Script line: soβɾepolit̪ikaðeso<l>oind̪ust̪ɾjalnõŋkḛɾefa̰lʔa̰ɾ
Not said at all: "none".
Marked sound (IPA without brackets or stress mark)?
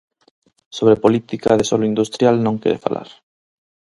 l